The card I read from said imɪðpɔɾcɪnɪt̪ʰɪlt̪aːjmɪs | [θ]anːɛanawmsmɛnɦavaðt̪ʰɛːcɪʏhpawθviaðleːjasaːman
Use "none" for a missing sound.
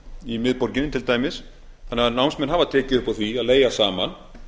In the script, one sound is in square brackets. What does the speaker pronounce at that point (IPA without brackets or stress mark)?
θ